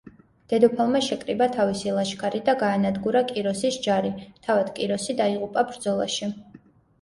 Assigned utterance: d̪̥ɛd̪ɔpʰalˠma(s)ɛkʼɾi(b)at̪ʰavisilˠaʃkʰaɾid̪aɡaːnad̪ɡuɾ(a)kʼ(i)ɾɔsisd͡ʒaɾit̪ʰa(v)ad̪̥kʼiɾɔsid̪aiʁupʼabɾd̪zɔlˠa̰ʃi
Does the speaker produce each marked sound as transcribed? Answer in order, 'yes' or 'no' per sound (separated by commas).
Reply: no, yes, yes, yes, yes